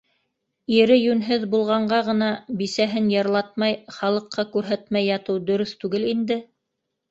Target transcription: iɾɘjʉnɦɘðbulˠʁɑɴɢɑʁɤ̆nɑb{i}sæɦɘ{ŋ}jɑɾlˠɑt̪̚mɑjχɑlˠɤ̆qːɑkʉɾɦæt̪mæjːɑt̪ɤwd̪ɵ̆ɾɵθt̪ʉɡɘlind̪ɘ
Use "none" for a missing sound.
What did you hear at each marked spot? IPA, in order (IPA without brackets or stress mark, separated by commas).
i, n